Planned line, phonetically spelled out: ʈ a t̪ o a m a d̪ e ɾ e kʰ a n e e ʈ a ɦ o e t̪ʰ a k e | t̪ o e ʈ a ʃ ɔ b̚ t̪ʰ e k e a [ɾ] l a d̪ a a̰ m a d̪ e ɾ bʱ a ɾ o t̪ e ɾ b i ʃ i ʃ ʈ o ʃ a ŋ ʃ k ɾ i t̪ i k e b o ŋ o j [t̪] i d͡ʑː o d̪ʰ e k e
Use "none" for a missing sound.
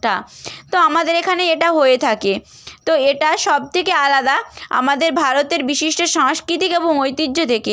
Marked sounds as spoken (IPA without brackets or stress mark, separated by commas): none, t̪